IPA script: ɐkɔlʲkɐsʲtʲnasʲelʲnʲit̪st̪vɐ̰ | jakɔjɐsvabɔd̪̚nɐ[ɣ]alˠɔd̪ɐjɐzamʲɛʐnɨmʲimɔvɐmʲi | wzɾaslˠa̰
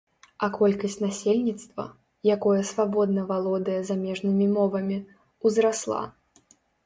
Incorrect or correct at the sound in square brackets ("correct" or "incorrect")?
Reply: incorrect